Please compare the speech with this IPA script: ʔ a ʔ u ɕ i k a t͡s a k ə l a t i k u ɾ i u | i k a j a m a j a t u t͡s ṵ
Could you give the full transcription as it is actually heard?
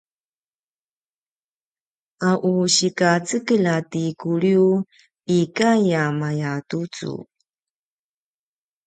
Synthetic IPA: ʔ a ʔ u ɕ i k a t͡s ə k ə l a t i k u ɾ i u | i k a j a m a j a t u t͡s ṵ